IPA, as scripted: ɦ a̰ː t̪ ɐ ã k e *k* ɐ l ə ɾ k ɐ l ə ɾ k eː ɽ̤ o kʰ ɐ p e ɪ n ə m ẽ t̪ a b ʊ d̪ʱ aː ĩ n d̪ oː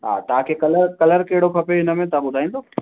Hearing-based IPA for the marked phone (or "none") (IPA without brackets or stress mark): k